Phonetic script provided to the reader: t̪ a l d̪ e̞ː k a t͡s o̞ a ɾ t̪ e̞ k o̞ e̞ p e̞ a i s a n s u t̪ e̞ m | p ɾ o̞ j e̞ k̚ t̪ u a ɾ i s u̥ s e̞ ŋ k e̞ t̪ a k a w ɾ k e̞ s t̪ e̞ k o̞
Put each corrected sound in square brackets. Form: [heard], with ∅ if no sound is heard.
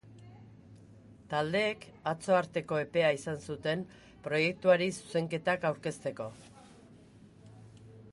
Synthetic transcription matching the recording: t̪ a l d̪ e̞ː k a t͡s o̞ a ɾ t̪ e̞ k o̞ e̞ p e̞ a i s a n s u t̪ e̞ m | p ɾ o̞ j e̞ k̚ t̪ u a ɾ i s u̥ s e̞ ŋ k e̞ t̪ a k a w ɾ k e̞ s t̪ e̞ k o̞